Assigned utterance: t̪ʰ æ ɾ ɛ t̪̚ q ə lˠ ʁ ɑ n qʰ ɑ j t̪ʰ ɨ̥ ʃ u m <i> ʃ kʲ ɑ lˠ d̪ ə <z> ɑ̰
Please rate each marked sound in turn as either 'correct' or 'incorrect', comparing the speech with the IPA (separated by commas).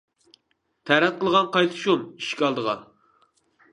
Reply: correct, incorrect